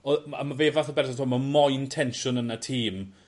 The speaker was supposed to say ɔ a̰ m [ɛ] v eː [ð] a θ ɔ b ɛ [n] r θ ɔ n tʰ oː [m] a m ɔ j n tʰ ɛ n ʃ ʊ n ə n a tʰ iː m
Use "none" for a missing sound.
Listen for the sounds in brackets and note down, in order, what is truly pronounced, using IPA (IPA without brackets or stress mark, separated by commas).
a, v, none, m